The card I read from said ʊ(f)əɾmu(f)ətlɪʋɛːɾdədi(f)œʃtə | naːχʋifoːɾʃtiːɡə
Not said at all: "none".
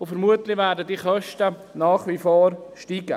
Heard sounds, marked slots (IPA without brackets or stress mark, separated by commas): f, none, χ